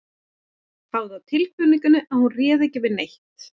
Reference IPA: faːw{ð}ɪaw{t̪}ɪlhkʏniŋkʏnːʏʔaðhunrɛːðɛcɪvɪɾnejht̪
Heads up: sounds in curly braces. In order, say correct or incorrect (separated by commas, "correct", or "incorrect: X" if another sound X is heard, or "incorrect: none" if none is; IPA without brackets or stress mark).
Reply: correct, incorrect: t̪ʰ